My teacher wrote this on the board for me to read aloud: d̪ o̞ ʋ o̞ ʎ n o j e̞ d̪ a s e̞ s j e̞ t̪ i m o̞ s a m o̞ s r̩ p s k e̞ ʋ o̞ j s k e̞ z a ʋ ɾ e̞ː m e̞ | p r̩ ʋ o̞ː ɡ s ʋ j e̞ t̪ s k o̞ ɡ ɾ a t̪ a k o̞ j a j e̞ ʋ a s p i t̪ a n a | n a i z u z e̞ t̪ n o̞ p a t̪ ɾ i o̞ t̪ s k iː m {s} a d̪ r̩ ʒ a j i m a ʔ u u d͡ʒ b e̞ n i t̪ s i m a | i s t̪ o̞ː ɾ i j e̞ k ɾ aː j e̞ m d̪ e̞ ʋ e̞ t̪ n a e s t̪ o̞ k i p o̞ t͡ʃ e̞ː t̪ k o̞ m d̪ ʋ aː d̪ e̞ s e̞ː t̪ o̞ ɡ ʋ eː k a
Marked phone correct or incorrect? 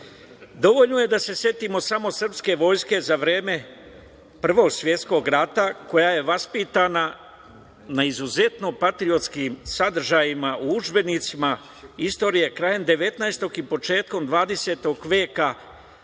correct